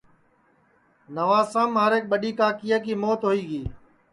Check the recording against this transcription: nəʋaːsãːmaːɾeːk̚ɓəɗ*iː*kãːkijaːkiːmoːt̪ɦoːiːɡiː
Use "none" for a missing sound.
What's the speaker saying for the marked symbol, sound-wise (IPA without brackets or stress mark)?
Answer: iː